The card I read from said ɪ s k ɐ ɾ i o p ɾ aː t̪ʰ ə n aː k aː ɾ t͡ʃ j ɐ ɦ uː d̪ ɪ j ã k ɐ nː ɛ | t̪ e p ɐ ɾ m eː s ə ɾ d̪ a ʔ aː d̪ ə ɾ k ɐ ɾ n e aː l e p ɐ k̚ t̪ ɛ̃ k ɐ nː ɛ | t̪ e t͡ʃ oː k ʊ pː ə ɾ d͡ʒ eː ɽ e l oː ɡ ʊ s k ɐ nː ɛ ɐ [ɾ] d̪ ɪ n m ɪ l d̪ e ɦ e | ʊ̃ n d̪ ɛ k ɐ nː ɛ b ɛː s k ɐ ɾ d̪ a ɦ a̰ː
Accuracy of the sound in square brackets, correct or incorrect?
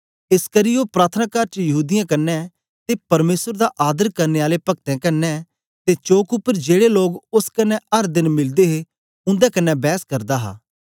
correct